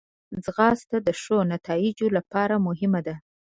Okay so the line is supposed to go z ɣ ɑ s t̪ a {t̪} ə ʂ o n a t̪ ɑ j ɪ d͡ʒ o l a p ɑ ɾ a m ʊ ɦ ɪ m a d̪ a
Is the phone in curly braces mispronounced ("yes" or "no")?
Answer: yes